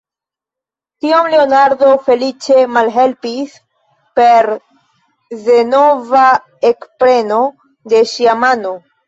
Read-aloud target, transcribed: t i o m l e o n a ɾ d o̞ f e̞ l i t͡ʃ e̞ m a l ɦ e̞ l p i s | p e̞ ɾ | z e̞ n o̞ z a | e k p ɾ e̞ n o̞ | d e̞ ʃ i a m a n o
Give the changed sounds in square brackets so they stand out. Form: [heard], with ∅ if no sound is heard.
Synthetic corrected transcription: t i o m l e o n a ɾ d o̞ f e̞ l i t͡ʃ e̞ m a l ɦ e̞ l p i s | p e̞ ɾ | z e̞ n o̞ [v] a | e k p ɾ e̞ n o̞ | d e̞ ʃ i a m a n o

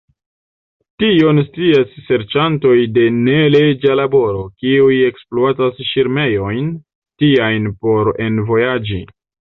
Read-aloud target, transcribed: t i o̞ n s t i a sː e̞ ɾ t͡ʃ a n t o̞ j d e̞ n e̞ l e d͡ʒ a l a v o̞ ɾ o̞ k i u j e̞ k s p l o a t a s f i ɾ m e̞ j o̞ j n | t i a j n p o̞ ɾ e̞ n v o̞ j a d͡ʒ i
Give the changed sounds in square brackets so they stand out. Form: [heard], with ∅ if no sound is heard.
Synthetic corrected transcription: t i o̞ n s t i a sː e̞ ɾ t͡ʃ a n t o̞ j d e̞ n e̞ l e d͡ʒ a l a [b] o̞ ɾ o̞ k i u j e̞ k s p l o a t a s [ʃ] i ɾ m e̞ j o̞ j n | t i a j n p o̞ ɾ e̞ n v o̞ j a d͡ʒ i

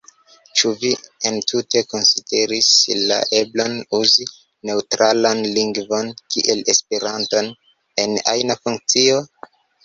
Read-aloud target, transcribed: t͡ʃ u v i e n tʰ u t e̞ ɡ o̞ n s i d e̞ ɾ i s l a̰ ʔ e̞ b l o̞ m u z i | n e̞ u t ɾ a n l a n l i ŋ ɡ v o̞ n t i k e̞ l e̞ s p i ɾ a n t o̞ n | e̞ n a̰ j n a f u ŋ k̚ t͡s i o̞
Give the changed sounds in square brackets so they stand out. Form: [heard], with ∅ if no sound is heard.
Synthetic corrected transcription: t͡ʃ u v i e n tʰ u t e̞ [k] o̞ n s i d e̞ ɾ i s l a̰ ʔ e̞ b l o̞ [n] u z i | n e̞ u t ɾ a [∅] l a n l i ŋ ɡ v o̞ n [k] i [ʔ] e̞ l e̞ s p [e] ɾ a n t o̞ n | e̞ n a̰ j n a f u ŋ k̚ t͡s i o̞

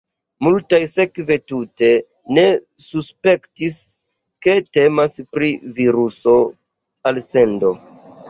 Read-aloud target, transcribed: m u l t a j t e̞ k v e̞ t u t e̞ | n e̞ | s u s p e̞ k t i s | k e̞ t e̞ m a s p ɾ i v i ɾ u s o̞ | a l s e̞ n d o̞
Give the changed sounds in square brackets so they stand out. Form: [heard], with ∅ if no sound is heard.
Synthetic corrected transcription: m u l t a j [s] e̞ k v e̞ t u t e̞ | n e̞ | s u s p e̞ k t i s | k e̞ t e̞ m a s p ɾ i v i ɾ u s o̞ | a l s e̞ n d o̞

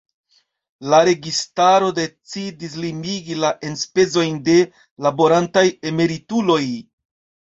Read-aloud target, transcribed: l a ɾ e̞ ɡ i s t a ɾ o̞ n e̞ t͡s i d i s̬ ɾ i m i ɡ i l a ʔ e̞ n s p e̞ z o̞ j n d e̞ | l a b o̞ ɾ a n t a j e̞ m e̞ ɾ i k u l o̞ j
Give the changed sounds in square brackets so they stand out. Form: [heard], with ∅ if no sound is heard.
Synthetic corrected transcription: l a ɾ e̞ ɡ i s t a ɾ o̞ [d] e̞ t͡s i d i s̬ [l] i m i ɡ i l a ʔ e̞ n s p e̞ z o̞ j n d e̞ | l a b o̞ ɾ a n t a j e̞ m e̞ ɾ i [t] u l o̞ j

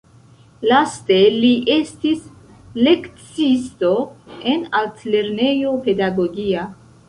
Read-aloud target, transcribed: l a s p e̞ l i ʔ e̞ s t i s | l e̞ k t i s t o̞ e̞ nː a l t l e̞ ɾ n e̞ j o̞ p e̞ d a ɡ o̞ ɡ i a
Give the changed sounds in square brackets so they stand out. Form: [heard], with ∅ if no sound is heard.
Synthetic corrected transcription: l a s [t] e̞ l i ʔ e̞ s t i s | l e̞ k [t͡s] i s t o̞ e̞ [n] a l t l e̞ ɾ n e̞ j o̞ p e̞ d a ɡ o̞ ɡ i a

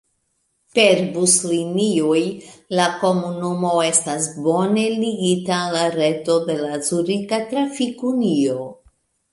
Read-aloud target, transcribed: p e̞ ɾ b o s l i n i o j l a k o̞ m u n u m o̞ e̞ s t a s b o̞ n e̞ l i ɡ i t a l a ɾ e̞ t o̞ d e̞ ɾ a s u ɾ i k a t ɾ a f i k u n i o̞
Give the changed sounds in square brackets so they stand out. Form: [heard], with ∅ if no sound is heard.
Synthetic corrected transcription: p e̞ ɾ b [u] s l i n i o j l a k o̞ m u n u m o̞ e̞ s t a s b o̞ n e̞ l i ɡ i t a l a ɾ e̞ t o̞ d e̞ [l] a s u ɾ i k a t ɾ a f i k u n i o̞

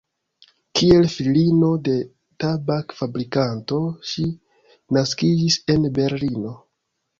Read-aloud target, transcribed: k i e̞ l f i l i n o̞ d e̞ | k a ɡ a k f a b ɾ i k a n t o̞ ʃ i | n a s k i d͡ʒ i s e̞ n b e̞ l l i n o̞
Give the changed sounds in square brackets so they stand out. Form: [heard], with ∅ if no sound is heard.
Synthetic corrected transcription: k i e̞ l f i l i n o̞ d e̞ | [t] a [b] a k f a b ɾ i k a n t o̞ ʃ i | n a s k i d͡ʒ i s e̞ n b e̞ [ɾ] l i n o̞

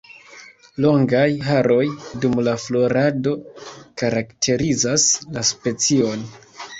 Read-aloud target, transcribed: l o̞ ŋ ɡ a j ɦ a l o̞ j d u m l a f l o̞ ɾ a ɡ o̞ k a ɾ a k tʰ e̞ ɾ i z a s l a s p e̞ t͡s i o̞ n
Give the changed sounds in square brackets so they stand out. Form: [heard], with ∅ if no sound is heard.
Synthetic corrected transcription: l o̞ ŋ ɡ a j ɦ a [ɾ] o̞ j d u m l a f l o̞ ɾ a [d] o̞ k a ɾ a k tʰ e̞ ɾ i z a s l a s p e̞ t͡s i o̞ n

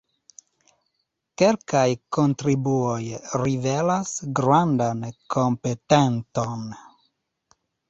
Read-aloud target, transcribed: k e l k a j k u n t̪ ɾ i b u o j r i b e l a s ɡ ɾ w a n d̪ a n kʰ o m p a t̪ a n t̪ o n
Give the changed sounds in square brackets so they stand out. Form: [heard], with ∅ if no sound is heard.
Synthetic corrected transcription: k e l k a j k [o] n t̪ ɾ i b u o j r i [v] e l a s ɡ ɾ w a n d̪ a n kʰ o m p [e] t̪ [e] n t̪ o n

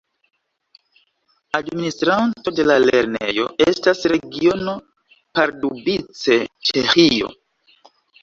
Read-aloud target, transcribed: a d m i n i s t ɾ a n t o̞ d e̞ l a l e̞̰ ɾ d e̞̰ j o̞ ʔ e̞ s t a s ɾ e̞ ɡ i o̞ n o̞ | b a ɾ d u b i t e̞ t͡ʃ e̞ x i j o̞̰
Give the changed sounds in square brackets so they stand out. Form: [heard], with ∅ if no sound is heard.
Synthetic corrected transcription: a d m i n i s t ɾ a n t o̞ d e̞ l a l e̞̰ ɾ [n] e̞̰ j o̞ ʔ e̞ s t a s ɾ e̞ ɡ i o̞ n o̞ | [p] a ɾ d u b i [t͡s] e̞ t͡ʃ e̞ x i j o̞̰

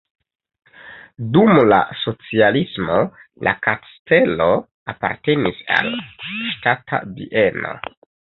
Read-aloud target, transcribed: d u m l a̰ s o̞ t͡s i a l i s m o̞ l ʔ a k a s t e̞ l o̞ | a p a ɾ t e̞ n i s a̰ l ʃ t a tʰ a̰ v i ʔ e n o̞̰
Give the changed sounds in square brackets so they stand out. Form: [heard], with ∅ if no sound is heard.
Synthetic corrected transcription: d u m l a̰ s o̞ t͡s i a l i s m o̞ l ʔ a k a s t e̞ l o̞ | a p a ɾ t e̞ n i s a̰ l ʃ t a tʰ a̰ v i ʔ e n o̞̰

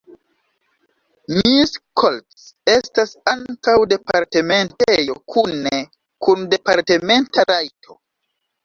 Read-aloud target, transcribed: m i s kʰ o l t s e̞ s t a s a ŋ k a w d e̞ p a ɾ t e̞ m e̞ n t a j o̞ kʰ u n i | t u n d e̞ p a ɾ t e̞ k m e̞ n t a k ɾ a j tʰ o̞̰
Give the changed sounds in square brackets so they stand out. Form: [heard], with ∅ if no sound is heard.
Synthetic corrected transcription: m i s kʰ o l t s e̞ s t a s a ŋ k a w d e̞ p a ɾ t e̞ m e̞ n t [e] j o̞ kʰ u n [e] | [k] u n d e̞ p a ɾ t e̞ [∅] m e̞ n t a [∅] ɾ a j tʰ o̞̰

